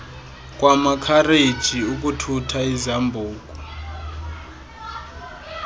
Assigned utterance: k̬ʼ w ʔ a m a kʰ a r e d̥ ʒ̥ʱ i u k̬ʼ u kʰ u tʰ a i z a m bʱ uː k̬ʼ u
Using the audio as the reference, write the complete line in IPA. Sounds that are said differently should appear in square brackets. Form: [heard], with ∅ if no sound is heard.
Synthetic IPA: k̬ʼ w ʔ a m a kʰ a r e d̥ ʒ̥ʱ i u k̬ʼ u [tʰ] u tʰ a i z a m bʱ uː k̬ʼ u